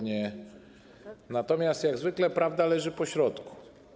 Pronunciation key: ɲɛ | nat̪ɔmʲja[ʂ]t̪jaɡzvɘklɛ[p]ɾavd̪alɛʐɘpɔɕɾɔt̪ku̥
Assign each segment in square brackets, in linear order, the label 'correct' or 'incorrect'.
incorrect: s, correct

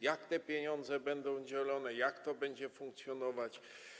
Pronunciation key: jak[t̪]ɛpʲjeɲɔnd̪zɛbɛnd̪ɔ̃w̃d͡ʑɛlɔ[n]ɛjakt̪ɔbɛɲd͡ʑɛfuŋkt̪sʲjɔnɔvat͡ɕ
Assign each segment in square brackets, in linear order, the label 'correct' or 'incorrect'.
correct, correct

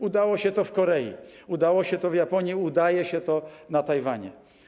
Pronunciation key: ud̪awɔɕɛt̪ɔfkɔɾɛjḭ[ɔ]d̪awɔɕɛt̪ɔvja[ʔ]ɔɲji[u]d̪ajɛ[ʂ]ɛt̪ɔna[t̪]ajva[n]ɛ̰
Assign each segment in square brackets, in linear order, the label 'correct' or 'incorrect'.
incorrect: u, incorrect: p, correct, incorrect: ɕ, correct, incorrect: ɲ

